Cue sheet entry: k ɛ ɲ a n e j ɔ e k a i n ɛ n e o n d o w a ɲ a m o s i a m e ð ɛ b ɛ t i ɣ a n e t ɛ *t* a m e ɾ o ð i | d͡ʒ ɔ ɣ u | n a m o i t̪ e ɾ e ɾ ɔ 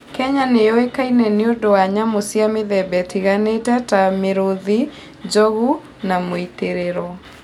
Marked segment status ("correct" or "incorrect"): correct